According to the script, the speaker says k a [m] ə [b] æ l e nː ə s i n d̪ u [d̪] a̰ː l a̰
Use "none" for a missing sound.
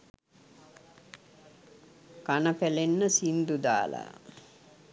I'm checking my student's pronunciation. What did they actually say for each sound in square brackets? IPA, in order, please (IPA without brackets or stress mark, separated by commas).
n, p, d̪